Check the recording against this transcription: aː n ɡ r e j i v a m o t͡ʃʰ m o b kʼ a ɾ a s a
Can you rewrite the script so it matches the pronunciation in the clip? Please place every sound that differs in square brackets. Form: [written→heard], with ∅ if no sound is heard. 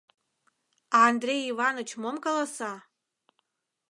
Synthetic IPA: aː n [ɡ→d] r e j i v a [m→n] o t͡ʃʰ m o [b→m] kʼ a [ɾ→l] a s a